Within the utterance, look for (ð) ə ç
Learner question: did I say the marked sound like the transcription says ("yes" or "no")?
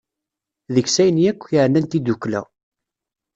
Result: yes